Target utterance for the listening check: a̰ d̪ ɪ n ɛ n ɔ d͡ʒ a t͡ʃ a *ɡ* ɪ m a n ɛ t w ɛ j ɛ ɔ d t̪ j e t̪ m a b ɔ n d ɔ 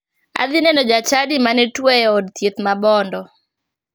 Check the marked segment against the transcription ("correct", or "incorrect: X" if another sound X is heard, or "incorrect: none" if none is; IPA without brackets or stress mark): incorrect: d